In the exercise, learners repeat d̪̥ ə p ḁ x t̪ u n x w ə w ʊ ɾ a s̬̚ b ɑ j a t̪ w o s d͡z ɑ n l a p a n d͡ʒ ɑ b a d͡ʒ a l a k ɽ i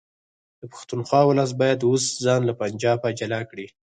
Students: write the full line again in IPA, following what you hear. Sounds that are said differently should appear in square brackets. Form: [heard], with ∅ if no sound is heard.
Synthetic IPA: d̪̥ ə p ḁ x t̪ u n x w [ɑ] w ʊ [l] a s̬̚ b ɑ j a [d̪] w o s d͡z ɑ n l a p a n d͡ʒ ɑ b a d͡ʒ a l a k ɽ i